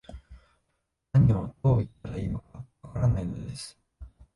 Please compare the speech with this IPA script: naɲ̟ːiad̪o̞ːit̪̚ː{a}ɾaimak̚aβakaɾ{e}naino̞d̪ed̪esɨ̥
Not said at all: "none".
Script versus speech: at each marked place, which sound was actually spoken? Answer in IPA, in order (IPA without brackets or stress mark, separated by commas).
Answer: a, a